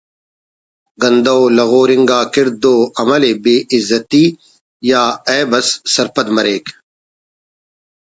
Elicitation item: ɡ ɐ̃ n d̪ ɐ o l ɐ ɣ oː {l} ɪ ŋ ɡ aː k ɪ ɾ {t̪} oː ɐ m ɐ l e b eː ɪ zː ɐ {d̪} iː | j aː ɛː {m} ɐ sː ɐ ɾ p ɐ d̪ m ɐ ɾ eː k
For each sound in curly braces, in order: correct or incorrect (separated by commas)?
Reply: incorrect, incorrect, incorrect, incorrect